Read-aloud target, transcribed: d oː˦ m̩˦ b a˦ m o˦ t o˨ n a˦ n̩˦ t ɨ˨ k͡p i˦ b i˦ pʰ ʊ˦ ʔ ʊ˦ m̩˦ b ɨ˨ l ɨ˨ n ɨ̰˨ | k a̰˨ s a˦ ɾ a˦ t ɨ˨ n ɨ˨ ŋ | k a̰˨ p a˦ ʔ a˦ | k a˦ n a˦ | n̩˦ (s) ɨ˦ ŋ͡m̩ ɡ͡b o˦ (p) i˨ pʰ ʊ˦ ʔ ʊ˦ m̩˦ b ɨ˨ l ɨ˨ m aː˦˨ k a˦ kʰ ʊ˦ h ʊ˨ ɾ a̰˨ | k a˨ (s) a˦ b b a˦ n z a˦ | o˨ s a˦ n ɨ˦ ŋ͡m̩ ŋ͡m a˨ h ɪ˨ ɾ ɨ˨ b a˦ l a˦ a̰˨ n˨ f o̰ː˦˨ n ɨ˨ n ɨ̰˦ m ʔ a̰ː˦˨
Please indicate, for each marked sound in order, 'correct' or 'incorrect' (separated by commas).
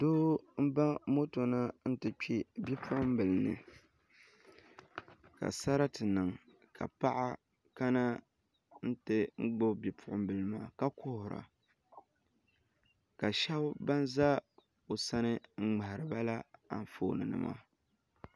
incorrect, incorrect, incorrect